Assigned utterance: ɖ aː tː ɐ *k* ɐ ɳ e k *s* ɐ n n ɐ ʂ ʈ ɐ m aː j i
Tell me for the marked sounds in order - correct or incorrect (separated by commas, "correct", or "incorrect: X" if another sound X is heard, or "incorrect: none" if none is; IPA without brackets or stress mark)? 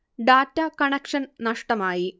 correct, incorrect: ʂ